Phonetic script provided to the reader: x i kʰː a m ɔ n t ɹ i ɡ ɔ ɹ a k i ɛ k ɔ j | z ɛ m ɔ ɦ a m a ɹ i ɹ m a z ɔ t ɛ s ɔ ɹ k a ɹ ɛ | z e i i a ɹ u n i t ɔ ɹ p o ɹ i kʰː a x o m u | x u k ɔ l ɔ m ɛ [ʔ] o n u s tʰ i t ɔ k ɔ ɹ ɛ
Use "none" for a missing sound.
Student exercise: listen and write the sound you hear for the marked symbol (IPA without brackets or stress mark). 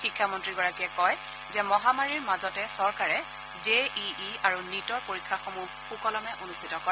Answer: ʔ